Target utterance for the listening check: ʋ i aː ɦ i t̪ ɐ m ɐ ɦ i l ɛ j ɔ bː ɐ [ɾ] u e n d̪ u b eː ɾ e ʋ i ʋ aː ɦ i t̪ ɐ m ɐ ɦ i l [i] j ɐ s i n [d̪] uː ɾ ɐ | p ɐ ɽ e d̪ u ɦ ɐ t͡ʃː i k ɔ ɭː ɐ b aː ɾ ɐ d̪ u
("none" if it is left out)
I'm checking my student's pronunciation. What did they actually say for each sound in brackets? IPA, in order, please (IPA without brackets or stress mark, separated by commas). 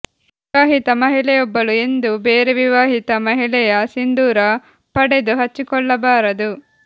l, ɛ, d̪